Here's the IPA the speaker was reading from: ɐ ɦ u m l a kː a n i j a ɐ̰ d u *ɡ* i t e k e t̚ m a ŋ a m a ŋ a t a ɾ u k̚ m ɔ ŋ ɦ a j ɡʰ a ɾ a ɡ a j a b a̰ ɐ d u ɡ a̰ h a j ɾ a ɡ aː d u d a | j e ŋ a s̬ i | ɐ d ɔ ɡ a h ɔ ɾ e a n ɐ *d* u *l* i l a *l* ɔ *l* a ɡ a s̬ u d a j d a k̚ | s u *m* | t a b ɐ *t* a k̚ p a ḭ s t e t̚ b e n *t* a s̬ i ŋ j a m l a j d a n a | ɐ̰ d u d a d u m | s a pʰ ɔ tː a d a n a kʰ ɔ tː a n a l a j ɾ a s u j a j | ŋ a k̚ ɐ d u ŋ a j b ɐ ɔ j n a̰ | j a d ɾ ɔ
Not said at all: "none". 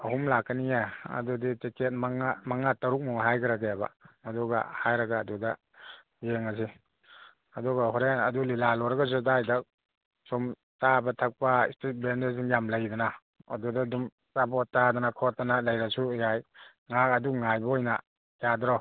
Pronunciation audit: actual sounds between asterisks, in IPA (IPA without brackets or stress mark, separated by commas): d, d, l, l, ɾ, m, tʰ, d